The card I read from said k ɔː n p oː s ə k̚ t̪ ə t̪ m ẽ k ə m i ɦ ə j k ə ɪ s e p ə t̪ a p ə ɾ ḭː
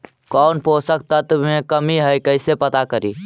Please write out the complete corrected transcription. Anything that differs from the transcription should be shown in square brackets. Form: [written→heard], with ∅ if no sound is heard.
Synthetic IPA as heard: k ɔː n p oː s ə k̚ t̪ ə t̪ m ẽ k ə m i ɦ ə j k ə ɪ s e p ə t̪ a [p→k] ə ɾ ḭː